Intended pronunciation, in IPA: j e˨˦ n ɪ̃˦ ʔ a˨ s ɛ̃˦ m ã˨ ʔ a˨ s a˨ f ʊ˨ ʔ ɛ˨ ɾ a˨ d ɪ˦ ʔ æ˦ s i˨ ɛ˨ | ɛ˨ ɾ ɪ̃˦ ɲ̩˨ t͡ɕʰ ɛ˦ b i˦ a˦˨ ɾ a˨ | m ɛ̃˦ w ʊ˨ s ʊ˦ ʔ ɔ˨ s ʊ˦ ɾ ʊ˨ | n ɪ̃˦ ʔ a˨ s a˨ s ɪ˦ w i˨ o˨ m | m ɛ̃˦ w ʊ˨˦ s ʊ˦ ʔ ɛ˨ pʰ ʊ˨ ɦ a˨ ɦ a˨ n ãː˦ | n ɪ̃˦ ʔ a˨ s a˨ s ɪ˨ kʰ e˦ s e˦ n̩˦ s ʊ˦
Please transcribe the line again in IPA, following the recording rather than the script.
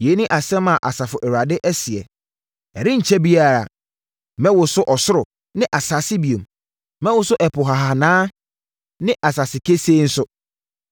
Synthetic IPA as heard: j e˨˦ n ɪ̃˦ ʔ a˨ s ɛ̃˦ m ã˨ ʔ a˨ s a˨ f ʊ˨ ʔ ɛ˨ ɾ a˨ d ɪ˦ ʔ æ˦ s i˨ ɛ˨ | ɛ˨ ɾ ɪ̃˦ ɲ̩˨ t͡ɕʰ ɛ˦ b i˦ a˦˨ ɾ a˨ | m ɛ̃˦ w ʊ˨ s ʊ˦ ʔ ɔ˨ s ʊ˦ ɾ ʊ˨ | n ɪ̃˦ ʔ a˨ s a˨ s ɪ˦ b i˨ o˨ m | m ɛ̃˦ w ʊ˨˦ s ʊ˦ ʔ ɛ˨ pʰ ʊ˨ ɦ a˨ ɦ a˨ n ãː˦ | n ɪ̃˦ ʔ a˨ s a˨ s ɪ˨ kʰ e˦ s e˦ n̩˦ s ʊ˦

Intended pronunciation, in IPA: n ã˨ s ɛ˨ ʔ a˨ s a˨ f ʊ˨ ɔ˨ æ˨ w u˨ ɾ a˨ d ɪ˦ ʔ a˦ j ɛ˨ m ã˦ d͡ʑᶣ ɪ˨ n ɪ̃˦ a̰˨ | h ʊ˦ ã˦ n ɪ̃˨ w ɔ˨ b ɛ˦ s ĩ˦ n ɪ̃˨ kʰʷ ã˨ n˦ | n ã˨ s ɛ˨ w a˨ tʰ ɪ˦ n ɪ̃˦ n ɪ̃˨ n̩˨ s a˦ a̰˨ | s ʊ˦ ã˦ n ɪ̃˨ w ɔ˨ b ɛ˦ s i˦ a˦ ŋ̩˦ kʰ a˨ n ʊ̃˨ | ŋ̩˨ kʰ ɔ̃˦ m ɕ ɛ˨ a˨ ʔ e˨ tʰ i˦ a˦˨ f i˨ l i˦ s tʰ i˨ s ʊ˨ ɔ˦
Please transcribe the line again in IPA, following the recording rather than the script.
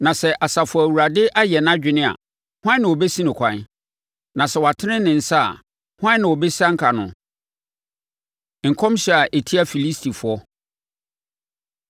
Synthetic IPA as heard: n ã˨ s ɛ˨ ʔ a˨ s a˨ f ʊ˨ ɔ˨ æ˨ w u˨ ɾ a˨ d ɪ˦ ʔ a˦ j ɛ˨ n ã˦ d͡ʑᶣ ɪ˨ n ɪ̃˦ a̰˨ | h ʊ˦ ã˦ n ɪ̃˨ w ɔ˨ b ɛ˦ s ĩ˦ n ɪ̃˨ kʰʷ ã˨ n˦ | n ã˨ s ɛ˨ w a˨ tʰ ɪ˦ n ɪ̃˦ n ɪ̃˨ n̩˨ s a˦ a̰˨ | h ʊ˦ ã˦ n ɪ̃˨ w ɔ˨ b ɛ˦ s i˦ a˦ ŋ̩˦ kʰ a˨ n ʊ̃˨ | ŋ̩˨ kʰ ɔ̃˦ m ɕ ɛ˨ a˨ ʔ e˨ tʰ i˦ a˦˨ f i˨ l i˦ s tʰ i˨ f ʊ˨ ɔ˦

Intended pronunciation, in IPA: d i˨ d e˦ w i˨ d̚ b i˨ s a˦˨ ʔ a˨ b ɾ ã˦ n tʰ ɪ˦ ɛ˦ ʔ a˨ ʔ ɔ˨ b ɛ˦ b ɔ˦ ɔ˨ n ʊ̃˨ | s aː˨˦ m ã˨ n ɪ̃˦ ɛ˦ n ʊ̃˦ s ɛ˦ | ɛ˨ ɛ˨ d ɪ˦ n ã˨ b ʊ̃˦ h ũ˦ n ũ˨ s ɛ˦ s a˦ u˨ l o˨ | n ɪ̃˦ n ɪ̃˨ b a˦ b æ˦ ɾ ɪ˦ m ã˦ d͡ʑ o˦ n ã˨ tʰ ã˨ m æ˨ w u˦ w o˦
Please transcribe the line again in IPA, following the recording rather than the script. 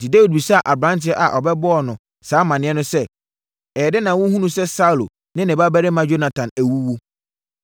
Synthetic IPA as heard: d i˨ d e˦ w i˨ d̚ b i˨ s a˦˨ ʔ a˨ b ɾ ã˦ n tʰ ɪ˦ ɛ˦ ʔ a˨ ʔ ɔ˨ b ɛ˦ b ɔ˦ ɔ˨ n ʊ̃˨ | s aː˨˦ m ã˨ n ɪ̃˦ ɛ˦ n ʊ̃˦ s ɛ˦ | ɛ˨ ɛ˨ d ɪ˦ n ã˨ w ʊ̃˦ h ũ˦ n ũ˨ s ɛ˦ s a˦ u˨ l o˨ | n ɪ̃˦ n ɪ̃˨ b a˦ b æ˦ ɾ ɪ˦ m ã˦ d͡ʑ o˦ n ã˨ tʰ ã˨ n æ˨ w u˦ w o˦

